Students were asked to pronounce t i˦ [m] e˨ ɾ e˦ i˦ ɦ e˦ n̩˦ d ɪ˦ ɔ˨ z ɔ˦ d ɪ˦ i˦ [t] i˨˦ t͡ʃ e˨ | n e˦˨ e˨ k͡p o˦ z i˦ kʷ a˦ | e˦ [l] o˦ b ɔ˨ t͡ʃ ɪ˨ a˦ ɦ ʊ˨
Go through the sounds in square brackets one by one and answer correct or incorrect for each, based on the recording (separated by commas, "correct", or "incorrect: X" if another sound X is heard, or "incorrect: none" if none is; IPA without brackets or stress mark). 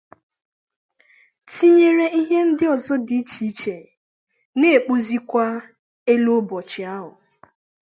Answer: incorrect: ɲ, incorrect: t͡ʃ, correct